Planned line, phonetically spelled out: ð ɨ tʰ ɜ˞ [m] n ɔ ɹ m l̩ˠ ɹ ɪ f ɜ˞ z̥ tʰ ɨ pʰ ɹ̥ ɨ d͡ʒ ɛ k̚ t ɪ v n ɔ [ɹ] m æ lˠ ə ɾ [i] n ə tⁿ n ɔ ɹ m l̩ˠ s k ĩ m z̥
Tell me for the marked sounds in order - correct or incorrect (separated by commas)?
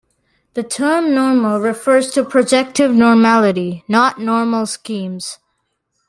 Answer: correct, correct, correct